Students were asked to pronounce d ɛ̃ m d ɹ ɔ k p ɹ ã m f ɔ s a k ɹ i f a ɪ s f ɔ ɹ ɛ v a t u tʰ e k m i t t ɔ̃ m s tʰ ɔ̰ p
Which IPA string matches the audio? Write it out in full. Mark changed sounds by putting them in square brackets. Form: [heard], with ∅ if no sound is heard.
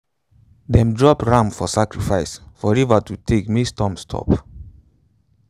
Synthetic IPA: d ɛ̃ m d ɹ ɔ [∅] p ɹ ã m f ɔ s a k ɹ i f a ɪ s f ɔ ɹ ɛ v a t u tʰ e k m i [s] t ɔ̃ m s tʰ ɔ̰ p